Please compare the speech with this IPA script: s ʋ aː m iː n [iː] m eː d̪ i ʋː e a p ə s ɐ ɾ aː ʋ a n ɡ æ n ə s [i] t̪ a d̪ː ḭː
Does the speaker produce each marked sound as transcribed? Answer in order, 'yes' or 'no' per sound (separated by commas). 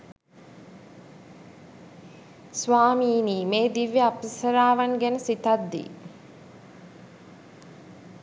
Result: yes, yes